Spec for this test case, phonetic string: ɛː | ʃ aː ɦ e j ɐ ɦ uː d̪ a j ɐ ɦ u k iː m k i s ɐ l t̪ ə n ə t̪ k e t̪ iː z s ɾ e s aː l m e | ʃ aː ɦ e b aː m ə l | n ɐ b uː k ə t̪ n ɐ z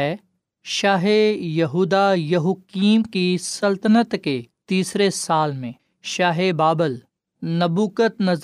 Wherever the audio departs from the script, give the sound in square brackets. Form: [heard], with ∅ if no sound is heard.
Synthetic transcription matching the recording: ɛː | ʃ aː ɦ e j ɐ ɦ uː d̪ a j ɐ ɦ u k iː m k i s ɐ l t̪ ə n ə t̪ k e t̪ iː [∅] s ɾ e s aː l m [ẽ] | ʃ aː ɦ e b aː [b] ə l | n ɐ b uː k ə t̪ n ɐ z